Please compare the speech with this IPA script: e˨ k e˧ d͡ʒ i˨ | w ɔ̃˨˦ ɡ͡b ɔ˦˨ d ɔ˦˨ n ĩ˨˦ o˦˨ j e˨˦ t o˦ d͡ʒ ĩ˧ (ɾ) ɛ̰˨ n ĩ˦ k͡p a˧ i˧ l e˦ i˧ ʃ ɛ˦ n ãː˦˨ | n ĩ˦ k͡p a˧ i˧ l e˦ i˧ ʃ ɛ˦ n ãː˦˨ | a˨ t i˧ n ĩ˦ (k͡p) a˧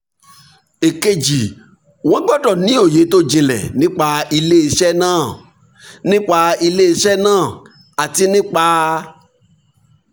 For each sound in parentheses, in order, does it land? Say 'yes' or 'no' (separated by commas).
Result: no, yes